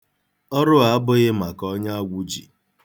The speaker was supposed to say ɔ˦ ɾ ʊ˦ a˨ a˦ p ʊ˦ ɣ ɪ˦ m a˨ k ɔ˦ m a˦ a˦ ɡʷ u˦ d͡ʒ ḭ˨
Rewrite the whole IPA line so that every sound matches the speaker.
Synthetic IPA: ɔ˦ ɾ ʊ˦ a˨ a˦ b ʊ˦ ɣ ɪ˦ m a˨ k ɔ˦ ɲ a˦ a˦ ɡʷ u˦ d͡ʒ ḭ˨